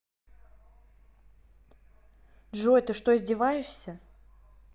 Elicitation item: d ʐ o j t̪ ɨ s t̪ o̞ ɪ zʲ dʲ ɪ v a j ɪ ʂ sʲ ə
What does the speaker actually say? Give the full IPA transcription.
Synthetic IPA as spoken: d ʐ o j t̪ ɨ ʂ t̪ o̞ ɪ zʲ dʲ ɪ v a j ɪ ʂ sʲ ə